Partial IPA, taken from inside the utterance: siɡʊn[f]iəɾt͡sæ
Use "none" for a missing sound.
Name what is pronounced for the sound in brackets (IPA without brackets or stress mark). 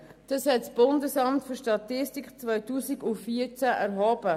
f